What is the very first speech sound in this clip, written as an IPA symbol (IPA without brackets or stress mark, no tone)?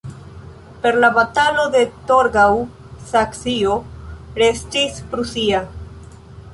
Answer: p